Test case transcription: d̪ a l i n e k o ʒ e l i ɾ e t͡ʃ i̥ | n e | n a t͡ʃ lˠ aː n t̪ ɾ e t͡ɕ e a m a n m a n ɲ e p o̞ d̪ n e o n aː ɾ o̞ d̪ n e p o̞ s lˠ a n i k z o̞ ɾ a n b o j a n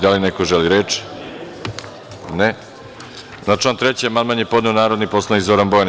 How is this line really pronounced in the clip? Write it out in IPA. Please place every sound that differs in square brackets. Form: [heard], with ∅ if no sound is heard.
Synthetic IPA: d̪ a l i n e k o ʒ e l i ɾ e t͡ʃ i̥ | n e | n a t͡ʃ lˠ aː n t̪ ɾ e t͡ɕ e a m a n m a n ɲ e p o̞ d̪ n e o n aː ɾ o̞ d̪ n [i] p o̞ s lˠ a n i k z o̞ ɾ a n b o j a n